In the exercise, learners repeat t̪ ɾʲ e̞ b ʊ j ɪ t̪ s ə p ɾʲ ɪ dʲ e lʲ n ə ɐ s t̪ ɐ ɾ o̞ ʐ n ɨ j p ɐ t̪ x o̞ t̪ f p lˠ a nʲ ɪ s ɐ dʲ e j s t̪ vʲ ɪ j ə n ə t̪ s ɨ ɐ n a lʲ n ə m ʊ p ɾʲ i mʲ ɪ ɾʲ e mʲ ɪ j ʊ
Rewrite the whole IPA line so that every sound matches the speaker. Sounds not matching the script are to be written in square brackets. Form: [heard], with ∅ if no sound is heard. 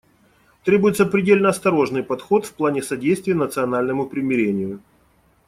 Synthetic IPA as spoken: t̪ ɾʲ e̞ b ʊ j ɪ t̪ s ə p ɾʲ ɪ dʲ e lʲ n ə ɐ s t̪ ɐ ɾ o̞ ʐ n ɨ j p ɐ t̪ x o̞ t̪ f p lˠ a nʲ ɪ s ɐ dʲ e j s t̪ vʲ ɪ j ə n ə t̪ s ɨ ɐ n a lʲ n ə m ʊ p ɾʲ [ɪ] mʲ ɪ ɾʲ e [nʲ] ɪ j ʊ